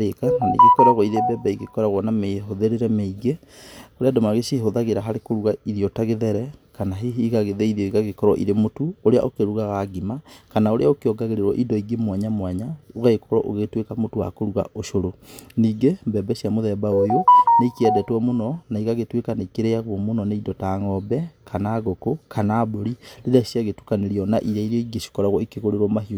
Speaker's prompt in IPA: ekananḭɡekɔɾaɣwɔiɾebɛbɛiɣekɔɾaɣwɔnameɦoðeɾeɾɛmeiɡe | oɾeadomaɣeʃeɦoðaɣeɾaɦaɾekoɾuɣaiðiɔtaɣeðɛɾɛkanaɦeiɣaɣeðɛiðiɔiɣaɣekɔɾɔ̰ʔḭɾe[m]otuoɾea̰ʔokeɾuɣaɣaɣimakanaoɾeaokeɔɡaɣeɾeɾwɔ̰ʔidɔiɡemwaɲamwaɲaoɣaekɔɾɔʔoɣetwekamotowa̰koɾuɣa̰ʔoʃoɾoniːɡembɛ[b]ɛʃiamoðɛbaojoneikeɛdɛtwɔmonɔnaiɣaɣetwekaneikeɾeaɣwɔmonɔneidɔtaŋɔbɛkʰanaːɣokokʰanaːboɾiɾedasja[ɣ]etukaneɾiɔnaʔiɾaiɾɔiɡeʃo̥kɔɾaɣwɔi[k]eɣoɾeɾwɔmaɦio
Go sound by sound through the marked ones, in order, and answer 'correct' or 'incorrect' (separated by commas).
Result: correct, correct, correct, correct